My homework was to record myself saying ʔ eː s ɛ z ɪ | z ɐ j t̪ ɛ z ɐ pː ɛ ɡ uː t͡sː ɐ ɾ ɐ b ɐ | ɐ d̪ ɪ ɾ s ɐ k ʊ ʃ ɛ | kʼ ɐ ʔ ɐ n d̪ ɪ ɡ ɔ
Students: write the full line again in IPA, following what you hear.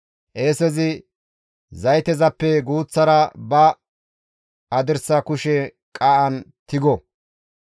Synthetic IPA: ʔ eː s ɛ z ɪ | z ɐ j t̪ ɛ z ɐ pː ɛ ɡ uː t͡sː ɐ ɾ ɐ b ɐ | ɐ d̪ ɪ ɾ s ɐ k ʊ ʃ ɛ | kʼ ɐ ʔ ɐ n t̪ ɪ ɡ ɔ

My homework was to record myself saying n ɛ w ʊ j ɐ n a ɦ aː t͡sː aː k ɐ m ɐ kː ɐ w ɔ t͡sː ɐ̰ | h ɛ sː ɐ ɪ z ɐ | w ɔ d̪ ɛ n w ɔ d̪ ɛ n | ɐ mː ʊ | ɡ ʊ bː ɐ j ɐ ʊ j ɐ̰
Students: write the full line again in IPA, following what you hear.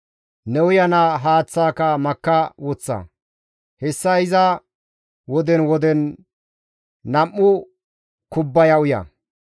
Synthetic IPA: n ɛ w ʊ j ɐ n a ɦ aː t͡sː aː k ɐ m ɐ kː ɐ w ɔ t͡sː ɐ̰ | h ɛ sː ɐ ɪ z ɐ | w ɔ d̪ ɛ n w ɔ d̪ ɛ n | ɐ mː ʊ | k ʊ bː ɐ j ɐ ʊ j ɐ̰

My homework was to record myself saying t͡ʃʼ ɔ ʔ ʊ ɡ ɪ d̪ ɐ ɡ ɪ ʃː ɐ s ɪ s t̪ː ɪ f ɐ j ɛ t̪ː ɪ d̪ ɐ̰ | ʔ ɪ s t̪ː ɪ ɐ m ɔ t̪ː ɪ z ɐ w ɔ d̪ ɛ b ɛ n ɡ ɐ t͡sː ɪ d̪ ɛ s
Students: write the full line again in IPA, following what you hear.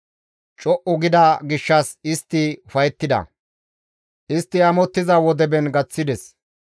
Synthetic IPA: t͡ʃʼ ɔ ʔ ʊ ɡ ɪ d̪ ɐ ɡ ɪ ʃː ɐ s ɪ s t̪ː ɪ f ɐ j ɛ t̪ː ɪ d̪ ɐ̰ | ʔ ɪ s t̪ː ɪ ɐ m ɔ t̪ː ɪ z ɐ w ɔ d̪ ɛ b ɛ n ɡ ɐ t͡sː ɪ d̪ ɛ s

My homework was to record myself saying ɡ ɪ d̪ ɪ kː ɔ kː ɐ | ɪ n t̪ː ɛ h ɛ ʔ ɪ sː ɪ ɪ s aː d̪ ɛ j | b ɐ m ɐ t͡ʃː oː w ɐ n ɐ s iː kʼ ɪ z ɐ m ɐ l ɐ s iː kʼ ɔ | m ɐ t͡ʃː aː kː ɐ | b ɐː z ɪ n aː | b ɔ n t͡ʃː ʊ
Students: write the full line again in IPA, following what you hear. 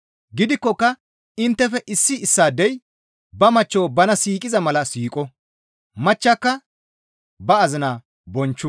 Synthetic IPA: ɡ ɪ d̪ ɪ kː ɔ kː ɐ | ɪ n t̪ː ɛ f ɛ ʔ ɪ sː ɪ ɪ sː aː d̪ ɛ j | b ɐ m ɐ t͡ʃː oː b ɐ n ɐ s iː kʼ ɪ z ɐ m ɐ l ɐ s iː kʼ ɔ | m ɐ t͡ʃː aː kː ɐ | b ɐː z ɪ n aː | b ɔ n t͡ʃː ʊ

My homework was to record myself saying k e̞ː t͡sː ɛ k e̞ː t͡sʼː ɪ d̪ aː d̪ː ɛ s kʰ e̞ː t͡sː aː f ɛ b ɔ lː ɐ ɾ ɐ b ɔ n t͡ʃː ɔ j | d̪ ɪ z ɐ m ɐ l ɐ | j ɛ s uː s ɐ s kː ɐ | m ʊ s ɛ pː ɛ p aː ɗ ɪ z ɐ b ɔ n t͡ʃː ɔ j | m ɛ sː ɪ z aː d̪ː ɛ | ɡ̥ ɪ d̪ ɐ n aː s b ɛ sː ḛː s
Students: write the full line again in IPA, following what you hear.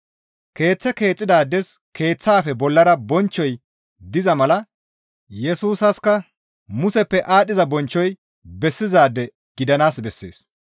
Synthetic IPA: k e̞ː t͡sː ɛ k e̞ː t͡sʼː ɪ d̪ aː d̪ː ɛ s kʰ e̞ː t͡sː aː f ɛ b ɔ lː ɐ ɾ ɐ b ɔ n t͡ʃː ɔ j | d̪ ɪ z ɐ m ɐ l ɐ | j ɛ s uː s ɐ s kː ɐ | m ʊ s ɛ pː ɛ ʔ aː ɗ ɪ z ɐ b ɔ n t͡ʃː ɔ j | b ɛ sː ɪ z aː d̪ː ɛ | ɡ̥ ɪ d̪ ɐ n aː s b ɛ sː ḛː s

